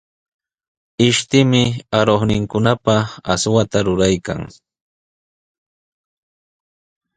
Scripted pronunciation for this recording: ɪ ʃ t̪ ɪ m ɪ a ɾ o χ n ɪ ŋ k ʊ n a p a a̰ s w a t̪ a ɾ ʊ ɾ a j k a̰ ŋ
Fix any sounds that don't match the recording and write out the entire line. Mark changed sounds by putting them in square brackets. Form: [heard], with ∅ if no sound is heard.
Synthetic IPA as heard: ɪ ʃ t̪ ɪ m ɪ a ɾ o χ n ɪ ŋ k ʊ n a p a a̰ s w a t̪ a ɾ ʊ ɾ a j k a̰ ŋ